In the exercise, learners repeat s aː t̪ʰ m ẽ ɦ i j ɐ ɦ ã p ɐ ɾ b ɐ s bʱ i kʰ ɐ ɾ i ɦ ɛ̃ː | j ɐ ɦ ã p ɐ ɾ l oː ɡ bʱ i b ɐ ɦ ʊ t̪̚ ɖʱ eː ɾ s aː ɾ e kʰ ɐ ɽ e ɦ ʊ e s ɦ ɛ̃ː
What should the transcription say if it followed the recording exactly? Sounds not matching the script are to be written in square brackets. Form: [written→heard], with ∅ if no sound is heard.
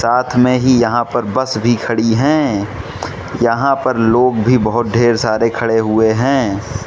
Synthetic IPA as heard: s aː t̪ʰ m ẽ ɦ i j ɐ ɦ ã p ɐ ɾ b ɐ s bʱ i kʰ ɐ [ɾ→ɽ] i ɦ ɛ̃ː | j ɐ ɦ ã p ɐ ɾ l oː ɡ bʱ i b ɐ ɦ ʊ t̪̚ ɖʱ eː ɾ s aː ɾ e kʰ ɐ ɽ e ɦ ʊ e [s→∅] ɦ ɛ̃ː